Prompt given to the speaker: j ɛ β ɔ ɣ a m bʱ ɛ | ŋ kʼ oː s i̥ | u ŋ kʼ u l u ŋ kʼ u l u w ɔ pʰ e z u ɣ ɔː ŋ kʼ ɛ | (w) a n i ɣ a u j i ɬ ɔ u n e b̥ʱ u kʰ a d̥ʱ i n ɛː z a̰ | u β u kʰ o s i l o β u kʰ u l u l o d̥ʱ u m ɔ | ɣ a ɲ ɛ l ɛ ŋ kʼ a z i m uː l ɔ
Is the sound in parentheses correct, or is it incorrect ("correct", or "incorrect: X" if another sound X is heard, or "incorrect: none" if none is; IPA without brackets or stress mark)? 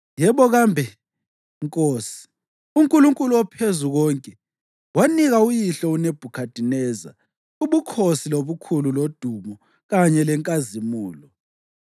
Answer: correct